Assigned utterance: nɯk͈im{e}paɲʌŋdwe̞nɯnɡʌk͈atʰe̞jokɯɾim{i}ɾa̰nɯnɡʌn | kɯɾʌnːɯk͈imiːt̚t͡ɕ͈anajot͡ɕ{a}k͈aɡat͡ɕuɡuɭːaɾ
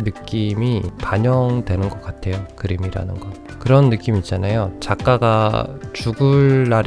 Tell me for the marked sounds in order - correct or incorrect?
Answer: incorrect: i, correct, correct

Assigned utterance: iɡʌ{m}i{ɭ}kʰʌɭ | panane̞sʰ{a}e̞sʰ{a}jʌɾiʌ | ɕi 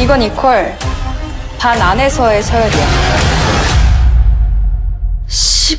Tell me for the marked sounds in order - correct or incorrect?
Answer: incorrect: n, incorrect: none, incorrect: ʌ, incorrect: ʌ

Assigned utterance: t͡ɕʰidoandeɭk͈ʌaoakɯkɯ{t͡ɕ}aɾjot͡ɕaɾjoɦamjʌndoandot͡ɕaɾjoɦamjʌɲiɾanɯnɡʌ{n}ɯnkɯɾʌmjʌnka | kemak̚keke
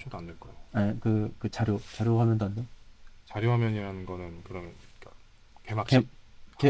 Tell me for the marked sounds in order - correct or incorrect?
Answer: correct, correct

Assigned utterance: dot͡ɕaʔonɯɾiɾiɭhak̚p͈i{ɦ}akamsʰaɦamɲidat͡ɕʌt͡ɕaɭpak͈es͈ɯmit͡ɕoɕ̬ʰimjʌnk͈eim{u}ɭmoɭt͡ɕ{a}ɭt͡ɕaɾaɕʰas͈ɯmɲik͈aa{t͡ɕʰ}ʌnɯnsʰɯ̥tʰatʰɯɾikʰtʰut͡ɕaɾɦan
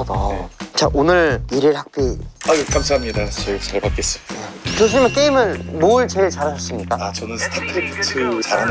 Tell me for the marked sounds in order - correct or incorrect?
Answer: incorrect: none, incorrect: ɯ, incorrect: e, incorrect: t͡ɕ

